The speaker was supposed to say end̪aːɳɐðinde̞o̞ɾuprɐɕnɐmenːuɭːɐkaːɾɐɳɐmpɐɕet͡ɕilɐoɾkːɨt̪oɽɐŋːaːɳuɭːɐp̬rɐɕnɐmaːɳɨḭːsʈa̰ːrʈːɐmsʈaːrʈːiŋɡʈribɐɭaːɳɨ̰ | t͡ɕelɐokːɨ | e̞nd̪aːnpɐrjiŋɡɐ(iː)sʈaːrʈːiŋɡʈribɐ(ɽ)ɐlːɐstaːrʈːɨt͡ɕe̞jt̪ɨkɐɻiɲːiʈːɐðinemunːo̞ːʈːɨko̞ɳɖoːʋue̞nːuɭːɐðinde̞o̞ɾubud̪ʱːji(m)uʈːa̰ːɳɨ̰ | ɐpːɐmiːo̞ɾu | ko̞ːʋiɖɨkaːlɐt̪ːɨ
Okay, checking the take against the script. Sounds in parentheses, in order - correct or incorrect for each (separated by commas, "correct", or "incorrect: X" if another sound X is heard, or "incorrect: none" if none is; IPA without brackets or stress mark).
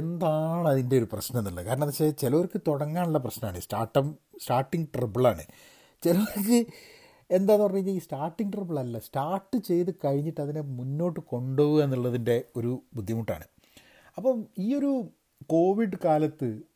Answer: correct, incorrect: ɭ, correct